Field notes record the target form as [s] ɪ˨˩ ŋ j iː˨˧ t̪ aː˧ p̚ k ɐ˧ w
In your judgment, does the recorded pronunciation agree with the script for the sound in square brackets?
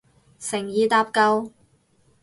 yes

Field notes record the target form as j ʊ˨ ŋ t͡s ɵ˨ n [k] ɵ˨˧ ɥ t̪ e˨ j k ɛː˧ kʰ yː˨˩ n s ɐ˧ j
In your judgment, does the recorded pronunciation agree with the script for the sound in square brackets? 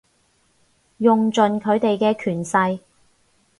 no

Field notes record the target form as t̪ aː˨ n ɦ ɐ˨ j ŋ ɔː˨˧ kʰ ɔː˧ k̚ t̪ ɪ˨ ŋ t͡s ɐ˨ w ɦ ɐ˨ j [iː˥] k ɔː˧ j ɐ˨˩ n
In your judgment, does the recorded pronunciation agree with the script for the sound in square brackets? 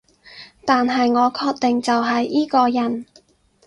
yes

